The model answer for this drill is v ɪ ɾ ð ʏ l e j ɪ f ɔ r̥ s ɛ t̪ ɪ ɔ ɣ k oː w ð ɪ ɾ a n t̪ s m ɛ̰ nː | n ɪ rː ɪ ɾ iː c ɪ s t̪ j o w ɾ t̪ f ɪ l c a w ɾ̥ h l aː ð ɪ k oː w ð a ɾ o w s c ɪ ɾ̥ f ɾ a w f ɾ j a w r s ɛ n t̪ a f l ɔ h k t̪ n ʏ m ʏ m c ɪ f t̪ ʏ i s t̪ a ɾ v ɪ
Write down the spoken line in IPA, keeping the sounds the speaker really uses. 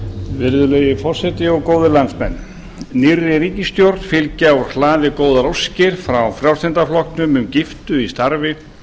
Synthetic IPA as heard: v ɪ ɾ ð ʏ l e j ɪ f ɔ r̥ s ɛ t̪ ɪ ɔ ɣ k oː w ð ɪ l a n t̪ s m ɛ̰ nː | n ɪ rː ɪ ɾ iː c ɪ s t̪ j o w ɾ t̪ f ɪ l c a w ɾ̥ h l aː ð ɪ k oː w ð a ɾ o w s c ɪ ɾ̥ f ɾ a w f ɾ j a w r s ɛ n t̪ a f l ɔ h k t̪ n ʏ m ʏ m c ɪ f t̪ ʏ i s t̪ a ɾ v ɪ